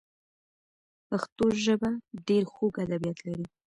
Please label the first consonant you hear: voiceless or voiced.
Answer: voiceless